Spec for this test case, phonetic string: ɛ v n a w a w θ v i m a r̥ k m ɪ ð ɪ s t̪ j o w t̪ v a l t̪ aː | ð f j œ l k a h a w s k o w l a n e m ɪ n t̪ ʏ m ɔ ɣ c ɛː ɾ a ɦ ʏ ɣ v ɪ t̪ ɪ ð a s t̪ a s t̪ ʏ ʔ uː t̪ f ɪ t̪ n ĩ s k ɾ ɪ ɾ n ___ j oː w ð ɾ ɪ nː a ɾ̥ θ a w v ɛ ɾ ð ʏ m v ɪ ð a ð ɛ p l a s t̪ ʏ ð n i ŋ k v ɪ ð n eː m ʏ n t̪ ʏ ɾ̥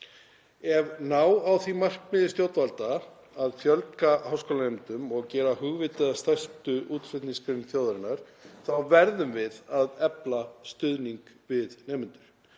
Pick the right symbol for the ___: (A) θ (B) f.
A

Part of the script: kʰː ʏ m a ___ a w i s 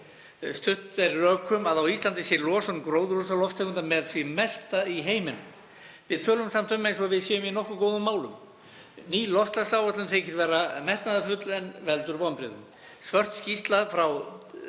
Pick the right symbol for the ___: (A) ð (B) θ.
A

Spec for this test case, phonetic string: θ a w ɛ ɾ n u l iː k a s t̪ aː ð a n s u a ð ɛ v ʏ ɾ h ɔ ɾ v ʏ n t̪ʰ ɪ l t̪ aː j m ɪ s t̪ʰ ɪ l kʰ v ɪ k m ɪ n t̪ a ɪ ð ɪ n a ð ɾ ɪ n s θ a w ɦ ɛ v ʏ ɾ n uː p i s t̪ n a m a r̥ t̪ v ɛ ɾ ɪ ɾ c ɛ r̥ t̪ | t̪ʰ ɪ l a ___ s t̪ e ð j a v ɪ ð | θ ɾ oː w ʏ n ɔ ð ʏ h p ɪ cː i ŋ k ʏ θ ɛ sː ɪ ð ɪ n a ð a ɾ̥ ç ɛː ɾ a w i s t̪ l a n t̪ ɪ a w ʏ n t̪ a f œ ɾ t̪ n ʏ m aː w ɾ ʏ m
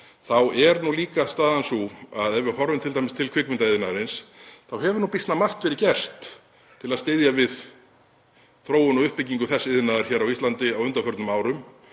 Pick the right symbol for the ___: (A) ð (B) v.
A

